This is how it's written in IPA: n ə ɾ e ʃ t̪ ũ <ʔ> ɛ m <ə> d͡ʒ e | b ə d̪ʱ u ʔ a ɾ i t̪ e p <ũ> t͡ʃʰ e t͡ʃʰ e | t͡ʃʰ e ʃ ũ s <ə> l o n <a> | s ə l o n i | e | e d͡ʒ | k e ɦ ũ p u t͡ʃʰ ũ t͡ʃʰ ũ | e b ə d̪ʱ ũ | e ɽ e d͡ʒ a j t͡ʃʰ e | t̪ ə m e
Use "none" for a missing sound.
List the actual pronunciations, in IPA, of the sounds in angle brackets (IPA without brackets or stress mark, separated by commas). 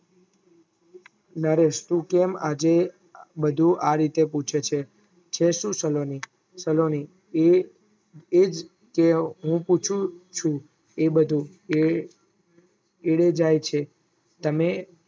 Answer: k, a, u, ə, i